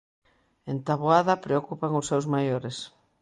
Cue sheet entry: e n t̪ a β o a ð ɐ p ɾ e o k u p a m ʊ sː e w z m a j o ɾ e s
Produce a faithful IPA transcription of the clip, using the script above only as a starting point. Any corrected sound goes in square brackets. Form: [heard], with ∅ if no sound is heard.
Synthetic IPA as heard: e n t̪ a β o a ð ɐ p ɾ e o k u p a [ŋ] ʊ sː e w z m a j o ɾ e s